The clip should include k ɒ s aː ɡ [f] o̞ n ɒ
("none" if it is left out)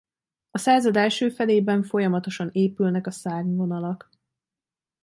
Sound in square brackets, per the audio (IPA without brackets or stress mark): v